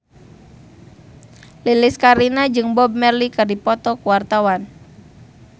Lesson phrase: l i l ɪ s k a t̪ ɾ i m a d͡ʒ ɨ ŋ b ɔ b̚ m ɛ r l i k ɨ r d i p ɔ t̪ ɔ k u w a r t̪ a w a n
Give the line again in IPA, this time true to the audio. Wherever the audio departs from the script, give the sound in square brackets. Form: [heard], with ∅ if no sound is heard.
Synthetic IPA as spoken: l i l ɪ s k a [∅] ɾ i [n] a d͡ʒ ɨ ŋ b ɔ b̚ m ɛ r l i k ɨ r d i p ɔ t̪ ɔ k u w a r t̪ a w a n